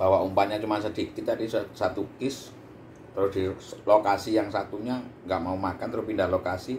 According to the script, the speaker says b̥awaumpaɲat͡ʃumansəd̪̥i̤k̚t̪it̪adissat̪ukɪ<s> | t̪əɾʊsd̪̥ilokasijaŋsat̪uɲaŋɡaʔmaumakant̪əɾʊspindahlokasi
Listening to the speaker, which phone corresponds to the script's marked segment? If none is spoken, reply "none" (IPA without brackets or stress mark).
s